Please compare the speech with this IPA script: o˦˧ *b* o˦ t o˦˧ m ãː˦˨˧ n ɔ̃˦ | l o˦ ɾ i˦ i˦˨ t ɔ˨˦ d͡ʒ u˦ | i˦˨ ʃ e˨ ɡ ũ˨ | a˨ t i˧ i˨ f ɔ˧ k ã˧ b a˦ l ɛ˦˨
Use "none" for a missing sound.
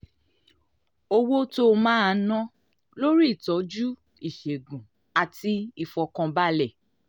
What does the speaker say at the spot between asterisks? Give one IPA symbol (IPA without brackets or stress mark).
w